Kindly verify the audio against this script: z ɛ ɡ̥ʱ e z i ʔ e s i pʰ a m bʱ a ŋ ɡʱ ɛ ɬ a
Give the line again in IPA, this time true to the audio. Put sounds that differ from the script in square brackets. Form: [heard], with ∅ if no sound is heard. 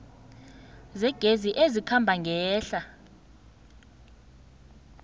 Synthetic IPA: z ɛ ɡ̥ʱ e z i ʔ e [z] i [kʰ] a m bʱ a ŋ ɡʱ [ɛː] ɬ a